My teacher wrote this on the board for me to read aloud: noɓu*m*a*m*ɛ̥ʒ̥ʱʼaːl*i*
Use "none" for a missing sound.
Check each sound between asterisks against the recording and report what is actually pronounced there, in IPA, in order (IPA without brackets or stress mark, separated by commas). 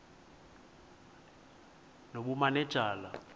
m, n, a